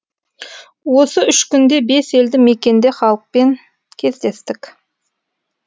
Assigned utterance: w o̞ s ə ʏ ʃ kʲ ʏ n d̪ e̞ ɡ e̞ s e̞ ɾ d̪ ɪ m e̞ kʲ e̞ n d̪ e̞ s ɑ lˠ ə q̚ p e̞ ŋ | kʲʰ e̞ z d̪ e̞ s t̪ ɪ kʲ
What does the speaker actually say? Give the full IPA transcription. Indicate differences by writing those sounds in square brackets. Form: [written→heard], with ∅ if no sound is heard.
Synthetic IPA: w o̞ s ə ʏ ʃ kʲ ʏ n d̪ e̞ [ɡ→b] e̞ s e̞ [ɾ→l] d̪ ɪ m e̞ kʲ e̞ n d̪ e̞ [s→χ] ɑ lˠ ə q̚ p e̞ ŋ | kʲʰ e̞ z d̪ e̞ s t̪ ɪ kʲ